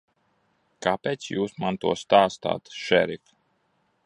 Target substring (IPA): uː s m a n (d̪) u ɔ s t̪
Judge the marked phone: incorrect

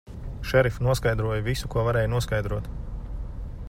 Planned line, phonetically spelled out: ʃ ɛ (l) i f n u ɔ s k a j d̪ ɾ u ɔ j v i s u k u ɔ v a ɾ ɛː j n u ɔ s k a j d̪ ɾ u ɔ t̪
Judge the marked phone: incorrect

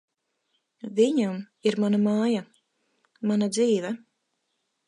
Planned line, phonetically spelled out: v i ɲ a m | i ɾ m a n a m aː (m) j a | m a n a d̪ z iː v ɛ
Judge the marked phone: incorrect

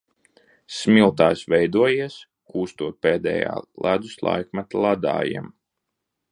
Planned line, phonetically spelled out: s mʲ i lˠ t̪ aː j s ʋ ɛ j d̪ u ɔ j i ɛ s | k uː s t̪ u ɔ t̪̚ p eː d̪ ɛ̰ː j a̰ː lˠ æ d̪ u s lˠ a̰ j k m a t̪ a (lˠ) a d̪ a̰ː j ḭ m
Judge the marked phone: correct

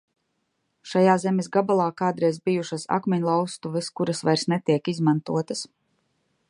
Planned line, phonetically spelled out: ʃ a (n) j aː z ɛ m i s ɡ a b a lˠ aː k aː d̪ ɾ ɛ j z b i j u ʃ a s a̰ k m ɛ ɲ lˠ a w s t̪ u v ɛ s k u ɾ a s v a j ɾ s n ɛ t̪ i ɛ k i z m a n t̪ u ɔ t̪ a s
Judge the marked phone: incorrect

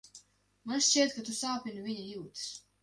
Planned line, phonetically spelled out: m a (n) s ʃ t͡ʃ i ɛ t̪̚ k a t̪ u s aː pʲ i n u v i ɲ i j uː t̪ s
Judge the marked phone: correct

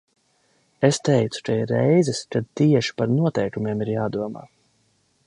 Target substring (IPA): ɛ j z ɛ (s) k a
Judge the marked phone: correct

